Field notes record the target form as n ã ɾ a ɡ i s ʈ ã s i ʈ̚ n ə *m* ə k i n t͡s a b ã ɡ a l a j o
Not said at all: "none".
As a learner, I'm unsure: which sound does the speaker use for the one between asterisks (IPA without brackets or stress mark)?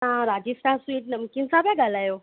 m